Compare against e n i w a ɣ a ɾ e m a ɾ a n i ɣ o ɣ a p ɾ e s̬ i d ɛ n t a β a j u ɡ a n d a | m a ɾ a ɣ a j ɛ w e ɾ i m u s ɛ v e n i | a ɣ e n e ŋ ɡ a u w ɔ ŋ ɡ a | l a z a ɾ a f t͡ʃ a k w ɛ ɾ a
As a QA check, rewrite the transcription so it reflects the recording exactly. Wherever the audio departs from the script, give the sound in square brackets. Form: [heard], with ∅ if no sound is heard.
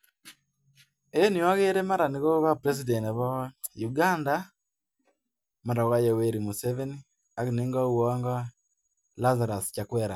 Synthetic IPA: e n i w a ɣ [e] ɾ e m a ɾ a n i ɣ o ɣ a p ɾ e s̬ i d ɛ n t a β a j u ɡ a n d a | m a ɾ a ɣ a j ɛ w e ɾ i m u s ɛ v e n i | a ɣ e n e ŋ ɡ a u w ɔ ŋ ɡ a | l a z a ɾ a [s] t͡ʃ a k w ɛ ɾ a